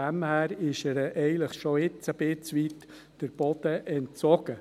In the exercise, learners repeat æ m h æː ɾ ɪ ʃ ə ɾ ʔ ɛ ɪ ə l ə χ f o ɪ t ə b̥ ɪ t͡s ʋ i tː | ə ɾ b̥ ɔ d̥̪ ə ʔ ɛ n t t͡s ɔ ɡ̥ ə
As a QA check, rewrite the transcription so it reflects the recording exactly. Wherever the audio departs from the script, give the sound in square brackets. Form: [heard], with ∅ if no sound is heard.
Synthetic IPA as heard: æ m h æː ɾ ɪ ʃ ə ɾ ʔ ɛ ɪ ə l ə χ [ʃ] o ɪ [t͡s] ə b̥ ɪ t͡s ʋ i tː | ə ɾ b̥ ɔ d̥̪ ə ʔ ɛ n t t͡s ɔ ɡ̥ ə

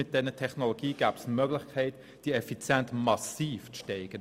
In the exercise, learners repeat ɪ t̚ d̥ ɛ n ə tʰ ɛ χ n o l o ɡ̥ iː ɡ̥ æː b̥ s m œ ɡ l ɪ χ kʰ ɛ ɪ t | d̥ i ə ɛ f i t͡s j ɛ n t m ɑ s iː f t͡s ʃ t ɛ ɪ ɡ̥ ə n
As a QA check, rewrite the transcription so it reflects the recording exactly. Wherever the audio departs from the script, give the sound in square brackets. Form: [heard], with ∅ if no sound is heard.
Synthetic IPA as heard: ɪ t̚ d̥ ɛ n ə tʰ ɛ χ n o l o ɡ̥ iː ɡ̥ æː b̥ s m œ ɡ l ɪ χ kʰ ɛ ɪ t | d̥ i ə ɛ f i t͡s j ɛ n t m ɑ s iː f t͡s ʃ t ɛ ɪ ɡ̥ ə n

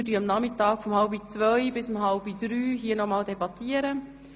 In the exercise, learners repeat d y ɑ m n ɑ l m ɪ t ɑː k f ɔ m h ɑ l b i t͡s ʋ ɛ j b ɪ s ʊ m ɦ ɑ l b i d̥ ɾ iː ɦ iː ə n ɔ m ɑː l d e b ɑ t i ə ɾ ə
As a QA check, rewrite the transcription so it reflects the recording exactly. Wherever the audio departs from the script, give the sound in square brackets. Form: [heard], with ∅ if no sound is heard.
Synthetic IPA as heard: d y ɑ m n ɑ [∅] m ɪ t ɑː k f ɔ m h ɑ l b i t͡s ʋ [œ] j b ɪ s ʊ m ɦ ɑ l b i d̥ ɾ [yː] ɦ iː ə n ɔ m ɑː l d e b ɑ t i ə ɾ ə

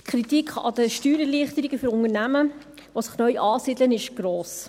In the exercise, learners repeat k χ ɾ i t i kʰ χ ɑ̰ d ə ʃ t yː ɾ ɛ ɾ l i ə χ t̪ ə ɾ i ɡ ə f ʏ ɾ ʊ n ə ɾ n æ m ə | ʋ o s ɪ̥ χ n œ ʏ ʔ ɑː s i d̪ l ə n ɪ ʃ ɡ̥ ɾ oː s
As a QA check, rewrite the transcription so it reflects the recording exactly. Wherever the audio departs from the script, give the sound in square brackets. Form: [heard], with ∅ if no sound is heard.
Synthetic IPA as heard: k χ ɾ i t i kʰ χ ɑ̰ d ə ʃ t yː ɾ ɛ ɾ l i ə χ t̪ ə ɾ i ɡ ə f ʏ ɾ ʊ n ə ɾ n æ m ə | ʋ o s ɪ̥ χ n œ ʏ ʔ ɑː s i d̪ l ə n ɪ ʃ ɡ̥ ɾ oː s

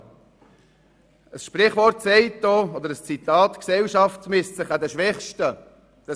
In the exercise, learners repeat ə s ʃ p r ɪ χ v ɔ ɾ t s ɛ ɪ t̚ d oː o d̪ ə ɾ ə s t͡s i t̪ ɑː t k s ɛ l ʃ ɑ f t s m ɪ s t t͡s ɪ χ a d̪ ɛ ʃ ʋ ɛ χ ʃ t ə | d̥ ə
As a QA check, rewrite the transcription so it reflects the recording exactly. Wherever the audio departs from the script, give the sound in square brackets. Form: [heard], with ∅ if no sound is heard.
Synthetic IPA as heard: ə s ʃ p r ɪ χ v ɔ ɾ t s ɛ ɪ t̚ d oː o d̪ ə ɾ ə s t͡s i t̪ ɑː t k s ɛ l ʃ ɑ f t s m ɪ s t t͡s ɪ χ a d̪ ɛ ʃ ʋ ɛ χ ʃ t ə | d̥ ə

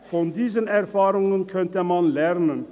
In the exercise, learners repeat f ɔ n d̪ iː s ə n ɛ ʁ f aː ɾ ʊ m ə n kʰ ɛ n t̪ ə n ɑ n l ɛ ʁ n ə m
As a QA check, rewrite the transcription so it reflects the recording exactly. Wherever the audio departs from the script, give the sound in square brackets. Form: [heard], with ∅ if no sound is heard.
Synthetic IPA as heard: f ɔ n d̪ iː [z] ə n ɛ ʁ f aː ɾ ʊ [ŋ] ə n kʰ [œ] n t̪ ə [m] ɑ n l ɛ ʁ n ə [n]

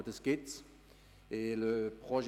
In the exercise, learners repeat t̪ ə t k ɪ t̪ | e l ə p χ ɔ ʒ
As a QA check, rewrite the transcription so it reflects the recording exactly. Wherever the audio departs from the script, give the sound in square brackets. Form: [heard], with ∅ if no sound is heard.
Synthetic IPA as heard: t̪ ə [s] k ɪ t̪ | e l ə p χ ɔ ʒ

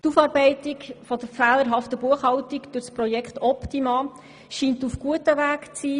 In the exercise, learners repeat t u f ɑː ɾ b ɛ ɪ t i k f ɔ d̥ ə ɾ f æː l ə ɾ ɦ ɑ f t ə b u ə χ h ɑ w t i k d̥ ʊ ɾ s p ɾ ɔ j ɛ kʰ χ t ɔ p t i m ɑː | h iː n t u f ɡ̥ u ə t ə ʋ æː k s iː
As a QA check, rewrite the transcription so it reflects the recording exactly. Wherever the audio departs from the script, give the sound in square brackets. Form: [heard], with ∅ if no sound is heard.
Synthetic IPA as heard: t u f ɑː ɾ b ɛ ɪ t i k f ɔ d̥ ə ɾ f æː l ə ɾ ɦ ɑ f t ə b u ə χ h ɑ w t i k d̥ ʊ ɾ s p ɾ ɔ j ɛ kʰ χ t ɔ p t i m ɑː | [ʃ] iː n t u f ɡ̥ u ə t ə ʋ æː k [t͡s] iː

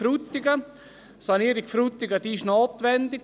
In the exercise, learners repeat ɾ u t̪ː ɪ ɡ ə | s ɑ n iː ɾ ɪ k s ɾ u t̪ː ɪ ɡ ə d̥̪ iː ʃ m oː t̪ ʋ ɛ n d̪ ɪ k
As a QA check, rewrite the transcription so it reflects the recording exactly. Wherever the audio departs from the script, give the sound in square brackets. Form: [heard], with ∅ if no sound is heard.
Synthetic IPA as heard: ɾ u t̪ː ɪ ɡ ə | s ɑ n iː ɾ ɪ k [f] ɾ u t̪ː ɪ ɡ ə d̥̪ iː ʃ [n] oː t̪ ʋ ɛ n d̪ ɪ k

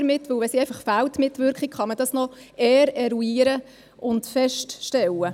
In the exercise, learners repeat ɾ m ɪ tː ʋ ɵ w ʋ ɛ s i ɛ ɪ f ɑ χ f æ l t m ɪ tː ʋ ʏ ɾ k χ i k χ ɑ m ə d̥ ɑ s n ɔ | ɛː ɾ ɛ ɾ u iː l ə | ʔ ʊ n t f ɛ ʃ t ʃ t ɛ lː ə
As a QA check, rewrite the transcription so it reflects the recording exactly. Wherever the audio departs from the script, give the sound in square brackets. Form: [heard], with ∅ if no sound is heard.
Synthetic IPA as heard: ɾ m ɪ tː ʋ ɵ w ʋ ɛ s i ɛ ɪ f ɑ χ f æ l t m ɪ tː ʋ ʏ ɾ k χ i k χ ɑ m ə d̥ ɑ s n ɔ | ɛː ɾ ɛ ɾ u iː [ɾ] ə | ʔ ʊ n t f ɛ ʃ t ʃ t ɛ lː ə

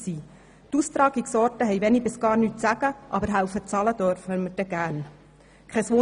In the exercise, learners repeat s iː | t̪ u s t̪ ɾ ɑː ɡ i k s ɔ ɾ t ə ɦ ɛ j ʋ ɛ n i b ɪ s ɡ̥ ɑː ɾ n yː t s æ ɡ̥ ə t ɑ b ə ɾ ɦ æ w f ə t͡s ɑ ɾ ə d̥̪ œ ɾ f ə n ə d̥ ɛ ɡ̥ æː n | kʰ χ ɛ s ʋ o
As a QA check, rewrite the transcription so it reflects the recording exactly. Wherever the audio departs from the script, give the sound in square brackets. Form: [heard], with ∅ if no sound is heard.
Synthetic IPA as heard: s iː | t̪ u s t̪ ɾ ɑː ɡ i k s ɔ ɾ t ə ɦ ɛ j ʋ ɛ n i b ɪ s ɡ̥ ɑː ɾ n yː t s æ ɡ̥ ə [ʔ] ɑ b ə ɾ ɦ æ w f ə t͡s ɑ [l] ə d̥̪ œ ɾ f ə [m] ə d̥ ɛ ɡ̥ æː n | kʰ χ ɛ s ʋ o

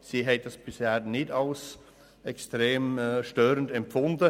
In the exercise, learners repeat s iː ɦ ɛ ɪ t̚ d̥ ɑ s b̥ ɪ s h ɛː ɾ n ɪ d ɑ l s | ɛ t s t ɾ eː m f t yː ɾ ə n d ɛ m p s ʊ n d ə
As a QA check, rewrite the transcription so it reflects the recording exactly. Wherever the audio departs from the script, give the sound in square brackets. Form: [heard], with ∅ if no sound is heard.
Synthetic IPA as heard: s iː ɦ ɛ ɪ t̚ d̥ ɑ s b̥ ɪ s h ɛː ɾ n ɪ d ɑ l s | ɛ [k] s t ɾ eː m [ʃ] t [øː] ɾ ə n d ɛ m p [f] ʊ n d ə

